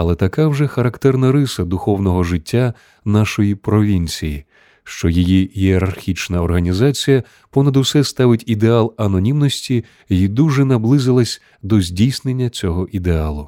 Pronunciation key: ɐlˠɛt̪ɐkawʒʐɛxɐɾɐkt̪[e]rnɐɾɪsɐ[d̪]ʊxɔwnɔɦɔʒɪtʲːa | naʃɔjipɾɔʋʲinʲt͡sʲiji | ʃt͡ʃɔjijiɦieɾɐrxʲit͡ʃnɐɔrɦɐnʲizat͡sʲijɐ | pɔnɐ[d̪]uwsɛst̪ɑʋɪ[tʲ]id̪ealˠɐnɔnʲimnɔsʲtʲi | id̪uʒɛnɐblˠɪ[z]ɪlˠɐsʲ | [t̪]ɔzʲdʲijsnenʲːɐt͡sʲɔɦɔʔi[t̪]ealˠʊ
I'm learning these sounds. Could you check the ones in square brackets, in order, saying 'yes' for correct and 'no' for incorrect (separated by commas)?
no, yes, yes, yes, yes, no, no